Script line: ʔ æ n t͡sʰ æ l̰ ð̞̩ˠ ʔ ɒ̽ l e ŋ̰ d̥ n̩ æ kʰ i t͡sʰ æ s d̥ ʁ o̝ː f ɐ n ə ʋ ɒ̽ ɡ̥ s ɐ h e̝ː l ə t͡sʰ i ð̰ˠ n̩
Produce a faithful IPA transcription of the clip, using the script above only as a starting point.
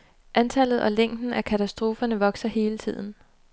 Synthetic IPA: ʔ æ n t͡sʰ æ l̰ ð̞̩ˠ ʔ ɒ̽ l e ŋ̰ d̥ n̩ æ kʰ æ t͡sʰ æ s d̥ ʁ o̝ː f ɐ n ə ʋ ɒ̽ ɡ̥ s ɐ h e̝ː l ə t͡sʰ i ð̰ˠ n̩